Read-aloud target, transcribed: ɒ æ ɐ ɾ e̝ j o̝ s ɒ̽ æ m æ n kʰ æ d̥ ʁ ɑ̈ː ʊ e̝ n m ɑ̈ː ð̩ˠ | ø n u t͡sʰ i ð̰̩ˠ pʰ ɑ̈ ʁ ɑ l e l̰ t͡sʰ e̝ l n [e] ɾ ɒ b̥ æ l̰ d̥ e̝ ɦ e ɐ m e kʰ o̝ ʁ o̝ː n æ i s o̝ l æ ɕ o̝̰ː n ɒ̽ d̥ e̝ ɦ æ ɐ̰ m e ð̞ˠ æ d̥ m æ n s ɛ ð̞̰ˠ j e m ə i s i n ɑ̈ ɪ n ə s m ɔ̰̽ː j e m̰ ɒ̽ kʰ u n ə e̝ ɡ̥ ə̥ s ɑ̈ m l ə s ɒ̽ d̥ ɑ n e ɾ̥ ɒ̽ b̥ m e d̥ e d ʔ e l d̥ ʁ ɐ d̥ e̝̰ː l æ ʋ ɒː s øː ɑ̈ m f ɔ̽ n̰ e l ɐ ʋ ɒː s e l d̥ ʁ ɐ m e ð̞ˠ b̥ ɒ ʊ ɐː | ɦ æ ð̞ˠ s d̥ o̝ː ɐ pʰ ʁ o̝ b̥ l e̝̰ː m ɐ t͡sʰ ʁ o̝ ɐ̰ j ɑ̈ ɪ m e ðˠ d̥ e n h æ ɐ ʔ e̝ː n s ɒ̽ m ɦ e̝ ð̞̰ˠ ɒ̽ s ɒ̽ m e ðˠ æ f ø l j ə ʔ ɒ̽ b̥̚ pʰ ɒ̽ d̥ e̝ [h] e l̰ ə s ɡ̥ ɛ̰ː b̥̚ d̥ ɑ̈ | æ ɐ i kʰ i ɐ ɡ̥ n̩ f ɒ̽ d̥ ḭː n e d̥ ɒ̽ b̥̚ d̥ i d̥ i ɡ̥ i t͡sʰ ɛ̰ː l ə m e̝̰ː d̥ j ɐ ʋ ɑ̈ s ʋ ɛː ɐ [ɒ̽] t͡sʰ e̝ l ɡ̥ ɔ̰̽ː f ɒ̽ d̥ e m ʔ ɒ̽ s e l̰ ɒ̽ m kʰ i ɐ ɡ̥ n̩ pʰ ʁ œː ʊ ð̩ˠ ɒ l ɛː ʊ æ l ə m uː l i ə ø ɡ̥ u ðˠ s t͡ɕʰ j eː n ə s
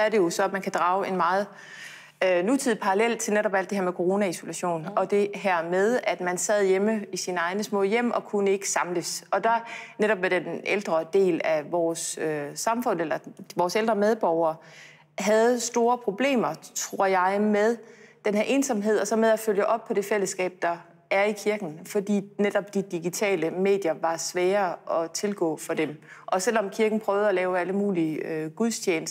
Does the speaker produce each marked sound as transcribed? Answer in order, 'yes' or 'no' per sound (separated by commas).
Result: yes, no, yes